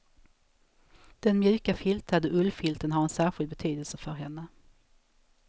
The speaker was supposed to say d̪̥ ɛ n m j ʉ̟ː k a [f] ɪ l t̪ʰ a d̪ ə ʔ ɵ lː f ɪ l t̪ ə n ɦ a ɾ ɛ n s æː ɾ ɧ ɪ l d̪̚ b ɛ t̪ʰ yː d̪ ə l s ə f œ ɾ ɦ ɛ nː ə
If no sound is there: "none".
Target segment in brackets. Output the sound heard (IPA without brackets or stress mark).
f